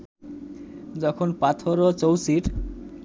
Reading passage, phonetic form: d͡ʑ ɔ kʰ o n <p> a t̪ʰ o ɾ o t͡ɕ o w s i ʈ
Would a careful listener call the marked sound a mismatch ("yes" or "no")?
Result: no